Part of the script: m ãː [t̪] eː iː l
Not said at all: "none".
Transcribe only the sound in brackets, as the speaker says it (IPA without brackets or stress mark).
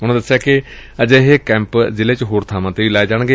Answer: t̪